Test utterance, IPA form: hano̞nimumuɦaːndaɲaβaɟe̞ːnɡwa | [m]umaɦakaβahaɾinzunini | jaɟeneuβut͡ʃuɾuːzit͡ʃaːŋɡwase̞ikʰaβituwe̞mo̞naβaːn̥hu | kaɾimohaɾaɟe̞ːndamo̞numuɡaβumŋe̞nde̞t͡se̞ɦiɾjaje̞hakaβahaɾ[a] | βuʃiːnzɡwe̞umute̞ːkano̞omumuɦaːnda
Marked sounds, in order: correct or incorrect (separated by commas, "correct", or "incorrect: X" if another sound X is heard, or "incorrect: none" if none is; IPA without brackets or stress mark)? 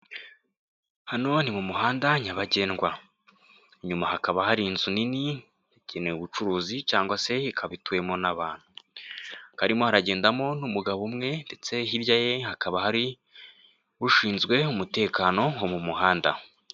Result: incorrect: ɲ, incorrect: i